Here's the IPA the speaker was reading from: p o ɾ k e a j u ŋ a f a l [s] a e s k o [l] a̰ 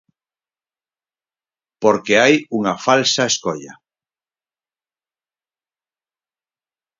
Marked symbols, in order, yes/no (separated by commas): yes, no